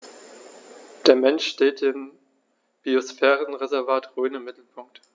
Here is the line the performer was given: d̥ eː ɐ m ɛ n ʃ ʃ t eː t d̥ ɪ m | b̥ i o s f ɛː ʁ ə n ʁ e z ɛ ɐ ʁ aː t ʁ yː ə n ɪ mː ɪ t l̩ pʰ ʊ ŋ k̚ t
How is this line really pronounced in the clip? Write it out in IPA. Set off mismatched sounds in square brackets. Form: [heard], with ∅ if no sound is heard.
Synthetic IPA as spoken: d̥ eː ɐ m ɛ n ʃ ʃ t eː t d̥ ɪ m | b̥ i o s f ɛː ʁ ə n ʁ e z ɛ ɐ [v] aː t ʁ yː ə n ɪ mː ɪ t l̩ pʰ ʊ ŋ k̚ t